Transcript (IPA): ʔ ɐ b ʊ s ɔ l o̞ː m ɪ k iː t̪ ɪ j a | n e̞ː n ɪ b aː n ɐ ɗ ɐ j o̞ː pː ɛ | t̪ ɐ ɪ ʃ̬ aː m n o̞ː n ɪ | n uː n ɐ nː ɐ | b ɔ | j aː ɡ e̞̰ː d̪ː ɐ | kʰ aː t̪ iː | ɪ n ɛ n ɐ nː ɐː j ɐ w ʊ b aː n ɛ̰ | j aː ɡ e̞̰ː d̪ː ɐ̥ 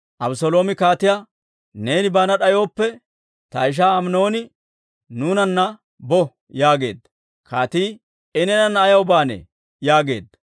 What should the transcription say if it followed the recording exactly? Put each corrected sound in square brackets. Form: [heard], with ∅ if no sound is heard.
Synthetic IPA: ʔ ɐ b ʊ s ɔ l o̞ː m ɪ k [aː] t̪ ɪ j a | n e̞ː n ɪ b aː n ɐ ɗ ɐ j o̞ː pː ɛ | t̪ ɐ ɪ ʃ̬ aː m n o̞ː n ɪ | n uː n ɐ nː ɐ | b ɔ | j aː ɡ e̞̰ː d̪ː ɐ | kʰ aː t̪ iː | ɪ n ɛ n ɐ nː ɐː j ɐ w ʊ b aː n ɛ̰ | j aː ɡ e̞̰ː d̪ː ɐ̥